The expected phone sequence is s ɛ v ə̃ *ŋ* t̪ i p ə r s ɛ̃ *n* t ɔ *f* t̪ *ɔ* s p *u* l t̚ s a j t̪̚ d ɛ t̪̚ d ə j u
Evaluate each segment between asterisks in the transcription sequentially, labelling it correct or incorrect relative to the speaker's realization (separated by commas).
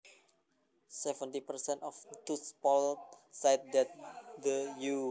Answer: incorrect, correct, correct, incorrect, incorrect